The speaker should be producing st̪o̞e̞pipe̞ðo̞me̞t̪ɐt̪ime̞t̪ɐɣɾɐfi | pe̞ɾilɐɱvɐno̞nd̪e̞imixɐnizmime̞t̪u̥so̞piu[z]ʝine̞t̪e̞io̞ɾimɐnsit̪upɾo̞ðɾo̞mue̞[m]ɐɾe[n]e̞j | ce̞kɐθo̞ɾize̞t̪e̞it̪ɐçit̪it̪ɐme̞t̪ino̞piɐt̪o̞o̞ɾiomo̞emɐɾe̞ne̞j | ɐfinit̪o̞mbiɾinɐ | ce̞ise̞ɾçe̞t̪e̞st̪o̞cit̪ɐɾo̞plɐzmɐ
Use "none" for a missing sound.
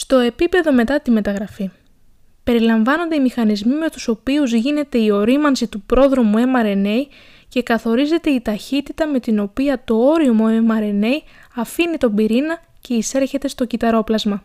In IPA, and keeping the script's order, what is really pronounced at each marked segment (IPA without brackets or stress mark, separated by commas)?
z, m, n